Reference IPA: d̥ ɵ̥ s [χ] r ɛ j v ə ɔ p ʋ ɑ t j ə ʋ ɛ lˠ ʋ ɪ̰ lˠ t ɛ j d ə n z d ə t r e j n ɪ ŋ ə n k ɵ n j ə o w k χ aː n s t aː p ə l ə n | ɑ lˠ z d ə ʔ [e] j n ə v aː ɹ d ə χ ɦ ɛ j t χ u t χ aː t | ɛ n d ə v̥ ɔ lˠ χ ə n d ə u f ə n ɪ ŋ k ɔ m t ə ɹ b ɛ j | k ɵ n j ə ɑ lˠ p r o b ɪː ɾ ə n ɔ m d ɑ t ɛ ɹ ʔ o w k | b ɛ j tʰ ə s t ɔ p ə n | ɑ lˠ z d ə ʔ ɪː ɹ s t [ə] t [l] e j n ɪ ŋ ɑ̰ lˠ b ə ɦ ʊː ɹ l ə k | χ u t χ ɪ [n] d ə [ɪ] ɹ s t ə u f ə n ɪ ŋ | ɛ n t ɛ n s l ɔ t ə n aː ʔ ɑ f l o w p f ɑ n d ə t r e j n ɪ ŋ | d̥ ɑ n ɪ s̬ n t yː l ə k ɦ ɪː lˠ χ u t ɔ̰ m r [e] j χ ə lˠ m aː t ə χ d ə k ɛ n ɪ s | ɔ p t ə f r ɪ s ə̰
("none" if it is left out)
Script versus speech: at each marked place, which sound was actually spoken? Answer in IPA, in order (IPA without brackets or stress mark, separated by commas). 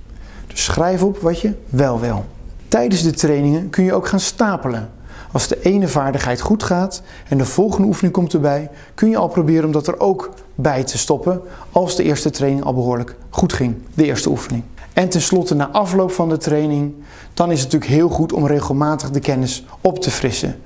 χ, e, ə, r, ŋ, ɪː, e